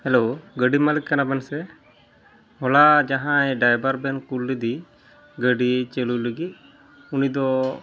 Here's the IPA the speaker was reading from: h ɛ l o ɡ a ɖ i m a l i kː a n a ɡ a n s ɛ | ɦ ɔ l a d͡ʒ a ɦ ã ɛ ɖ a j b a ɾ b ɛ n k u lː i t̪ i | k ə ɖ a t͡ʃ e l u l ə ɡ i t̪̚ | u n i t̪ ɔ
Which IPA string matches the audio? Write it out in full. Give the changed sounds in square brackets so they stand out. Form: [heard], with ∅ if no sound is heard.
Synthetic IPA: h ɛ l o ɡ [ə] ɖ i m a l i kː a n a [b] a n s ɛ | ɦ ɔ l a d͡ʒ a ɦ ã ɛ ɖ a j b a ɾ b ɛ n k u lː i [d̪] i | [ɡ] ə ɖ [i] t͡ʃ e l u l ə ɡ i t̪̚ | u n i [d̪] ɔ